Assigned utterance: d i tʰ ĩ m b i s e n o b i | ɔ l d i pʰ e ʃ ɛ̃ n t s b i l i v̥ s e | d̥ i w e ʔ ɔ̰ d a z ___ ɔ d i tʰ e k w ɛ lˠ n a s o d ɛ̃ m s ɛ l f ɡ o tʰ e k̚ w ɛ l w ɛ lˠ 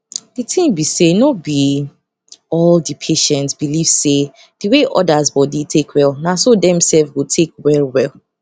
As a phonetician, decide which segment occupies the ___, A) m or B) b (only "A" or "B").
B